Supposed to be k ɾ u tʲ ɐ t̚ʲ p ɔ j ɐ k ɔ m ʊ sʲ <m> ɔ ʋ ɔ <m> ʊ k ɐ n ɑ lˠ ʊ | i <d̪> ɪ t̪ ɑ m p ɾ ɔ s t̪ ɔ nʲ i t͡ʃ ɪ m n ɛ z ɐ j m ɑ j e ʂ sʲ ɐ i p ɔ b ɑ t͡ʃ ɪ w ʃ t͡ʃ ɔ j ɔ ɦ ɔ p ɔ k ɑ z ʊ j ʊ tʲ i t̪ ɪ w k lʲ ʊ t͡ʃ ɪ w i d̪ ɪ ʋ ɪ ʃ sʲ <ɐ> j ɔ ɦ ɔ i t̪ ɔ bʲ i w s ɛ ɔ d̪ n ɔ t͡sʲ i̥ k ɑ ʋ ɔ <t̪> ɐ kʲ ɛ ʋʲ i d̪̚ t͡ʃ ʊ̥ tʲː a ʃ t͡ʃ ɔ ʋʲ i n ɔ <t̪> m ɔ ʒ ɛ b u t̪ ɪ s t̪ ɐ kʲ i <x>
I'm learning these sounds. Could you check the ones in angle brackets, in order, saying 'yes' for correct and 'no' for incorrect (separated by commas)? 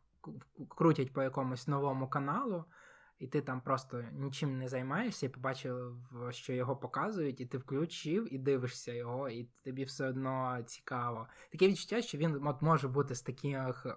no, yes, no, yes, yes, yes, yes